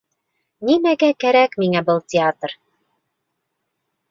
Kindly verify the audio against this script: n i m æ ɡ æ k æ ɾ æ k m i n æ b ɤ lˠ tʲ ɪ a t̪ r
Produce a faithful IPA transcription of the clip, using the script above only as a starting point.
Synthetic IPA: n i m æ ɡ æ k æ ɾ æ k m i ŋ æ b ɤ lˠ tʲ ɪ a t̪ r